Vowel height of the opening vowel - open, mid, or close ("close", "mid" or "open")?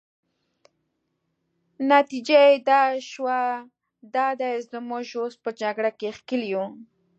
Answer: open